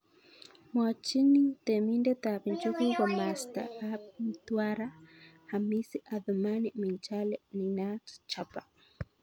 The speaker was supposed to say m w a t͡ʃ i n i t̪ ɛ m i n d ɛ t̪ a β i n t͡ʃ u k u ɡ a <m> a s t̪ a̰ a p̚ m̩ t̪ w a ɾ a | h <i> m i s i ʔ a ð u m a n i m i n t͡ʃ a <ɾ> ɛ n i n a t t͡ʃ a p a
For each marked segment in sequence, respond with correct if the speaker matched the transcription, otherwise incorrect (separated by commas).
correct, incorrect, incorrect